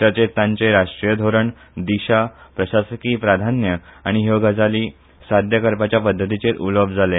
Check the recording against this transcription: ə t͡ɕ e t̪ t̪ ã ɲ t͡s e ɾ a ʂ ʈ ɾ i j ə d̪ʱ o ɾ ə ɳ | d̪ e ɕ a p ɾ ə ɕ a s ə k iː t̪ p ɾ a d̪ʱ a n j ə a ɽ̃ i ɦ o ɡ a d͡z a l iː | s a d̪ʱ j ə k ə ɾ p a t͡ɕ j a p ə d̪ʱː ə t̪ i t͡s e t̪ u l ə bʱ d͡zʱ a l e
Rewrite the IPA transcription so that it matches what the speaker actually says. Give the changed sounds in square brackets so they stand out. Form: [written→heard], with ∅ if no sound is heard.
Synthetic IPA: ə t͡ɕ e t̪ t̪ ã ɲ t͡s e ɾ a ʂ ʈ ɾ i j ə d̪ʱ o ɾ ə ɳ | d̪ [e→i] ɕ a p ɾ ə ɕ a s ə k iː [t̪→∅] p ɾ a d̪ʱ a n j ə a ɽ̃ i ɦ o ɡ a d͡z a l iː | s a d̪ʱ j ə k ə ɾ p a t͡ɕ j a p ə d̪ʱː ə t̪ i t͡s e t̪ u l ə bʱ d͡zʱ a l e